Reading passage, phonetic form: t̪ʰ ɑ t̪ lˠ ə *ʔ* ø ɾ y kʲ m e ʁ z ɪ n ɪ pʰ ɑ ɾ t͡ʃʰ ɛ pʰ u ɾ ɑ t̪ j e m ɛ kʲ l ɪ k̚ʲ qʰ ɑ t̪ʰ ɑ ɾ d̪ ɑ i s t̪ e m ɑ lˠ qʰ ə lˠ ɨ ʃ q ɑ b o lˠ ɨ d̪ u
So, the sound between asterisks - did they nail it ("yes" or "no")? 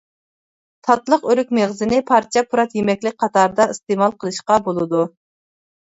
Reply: no